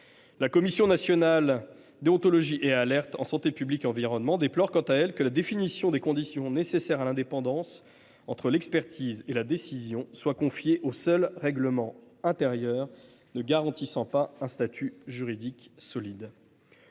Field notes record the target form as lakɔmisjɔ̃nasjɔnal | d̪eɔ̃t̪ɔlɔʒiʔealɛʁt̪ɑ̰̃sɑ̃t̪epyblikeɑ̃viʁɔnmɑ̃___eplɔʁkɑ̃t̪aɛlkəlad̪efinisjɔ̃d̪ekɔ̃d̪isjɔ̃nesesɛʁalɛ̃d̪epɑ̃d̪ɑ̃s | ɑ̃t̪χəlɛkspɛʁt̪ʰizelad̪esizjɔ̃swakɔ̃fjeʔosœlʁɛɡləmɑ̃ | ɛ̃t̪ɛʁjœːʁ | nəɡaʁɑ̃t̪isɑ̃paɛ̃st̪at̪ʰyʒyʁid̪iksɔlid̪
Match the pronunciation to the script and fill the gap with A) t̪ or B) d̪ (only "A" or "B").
B